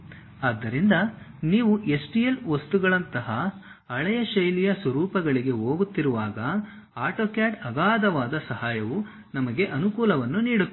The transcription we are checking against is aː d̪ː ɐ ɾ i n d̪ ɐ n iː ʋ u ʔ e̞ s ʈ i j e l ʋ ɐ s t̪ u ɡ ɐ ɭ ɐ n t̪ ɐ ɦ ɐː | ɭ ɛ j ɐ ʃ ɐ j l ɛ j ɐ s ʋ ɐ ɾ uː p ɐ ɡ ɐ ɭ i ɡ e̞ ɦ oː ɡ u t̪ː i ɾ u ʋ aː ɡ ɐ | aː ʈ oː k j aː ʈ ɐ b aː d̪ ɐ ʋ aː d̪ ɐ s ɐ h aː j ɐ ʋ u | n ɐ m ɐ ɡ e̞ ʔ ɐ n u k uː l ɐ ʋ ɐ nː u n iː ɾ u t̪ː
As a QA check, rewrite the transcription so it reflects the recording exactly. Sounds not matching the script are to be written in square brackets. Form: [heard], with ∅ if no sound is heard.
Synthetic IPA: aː d̪ː ɐ ɾ i n d̪ ɐ n iː ʋ u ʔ e̞ s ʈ i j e l ʋ ɐ s t̪ u ɡ ɐ ɭ ɐ n t̪ ɐ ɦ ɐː | ɭ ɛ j ɐ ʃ ɐ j l [i] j ɐ s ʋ ɐ ɾ uː p ɐ ɡ ɐ ɭ i ɡ e̞ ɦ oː ɡ u t̪ː i ɾ u ʋ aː ɡ ɐ | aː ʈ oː k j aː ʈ ɐ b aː d̪ ɐ ʋ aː d̪ ɐ s ɐ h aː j ɐ ʋ u | n ɐ m ɐ ɡ e̞ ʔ ɐ n u k uː l ɐ ʋ ɐ nː u n iː [ɽ] u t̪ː